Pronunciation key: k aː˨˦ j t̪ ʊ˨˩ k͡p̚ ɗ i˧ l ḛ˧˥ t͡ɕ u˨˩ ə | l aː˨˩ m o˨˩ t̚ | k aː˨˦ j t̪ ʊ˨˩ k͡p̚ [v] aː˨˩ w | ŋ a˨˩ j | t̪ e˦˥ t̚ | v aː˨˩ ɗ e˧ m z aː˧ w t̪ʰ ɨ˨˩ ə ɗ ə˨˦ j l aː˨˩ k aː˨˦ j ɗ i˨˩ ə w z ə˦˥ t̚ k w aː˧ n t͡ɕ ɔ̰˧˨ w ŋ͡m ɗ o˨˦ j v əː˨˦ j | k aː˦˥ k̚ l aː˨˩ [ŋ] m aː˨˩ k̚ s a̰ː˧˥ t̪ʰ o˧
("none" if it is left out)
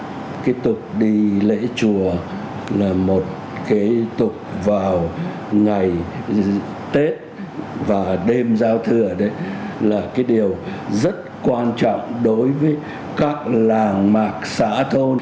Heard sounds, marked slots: v, ŋ

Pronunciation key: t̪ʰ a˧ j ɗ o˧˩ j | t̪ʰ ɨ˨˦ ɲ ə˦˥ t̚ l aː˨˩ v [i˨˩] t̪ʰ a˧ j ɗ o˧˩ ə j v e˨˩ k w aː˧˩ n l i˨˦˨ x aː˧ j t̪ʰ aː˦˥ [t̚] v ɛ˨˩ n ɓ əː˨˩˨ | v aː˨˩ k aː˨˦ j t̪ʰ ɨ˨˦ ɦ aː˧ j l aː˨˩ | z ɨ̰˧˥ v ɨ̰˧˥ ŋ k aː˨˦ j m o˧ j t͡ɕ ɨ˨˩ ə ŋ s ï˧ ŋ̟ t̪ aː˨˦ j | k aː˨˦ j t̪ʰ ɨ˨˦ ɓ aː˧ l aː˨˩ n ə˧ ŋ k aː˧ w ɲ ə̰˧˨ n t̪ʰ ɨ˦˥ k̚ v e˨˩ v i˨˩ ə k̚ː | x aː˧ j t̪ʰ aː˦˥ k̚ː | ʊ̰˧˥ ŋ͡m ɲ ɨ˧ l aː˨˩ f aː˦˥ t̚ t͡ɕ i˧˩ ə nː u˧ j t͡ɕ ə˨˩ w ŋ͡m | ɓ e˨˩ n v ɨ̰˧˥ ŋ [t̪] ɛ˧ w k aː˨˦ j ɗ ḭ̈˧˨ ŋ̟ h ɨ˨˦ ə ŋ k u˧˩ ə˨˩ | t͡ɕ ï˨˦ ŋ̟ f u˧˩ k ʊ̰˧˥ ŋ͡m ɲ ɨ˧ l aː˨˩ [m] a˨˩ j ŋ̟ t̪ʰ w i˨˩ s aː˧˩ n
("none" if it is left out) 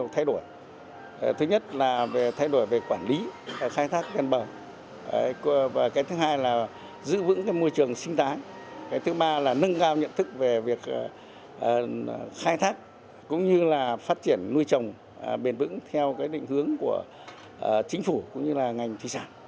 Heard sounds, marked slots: e˨˩, k̚, t̪ʰ, ŋ

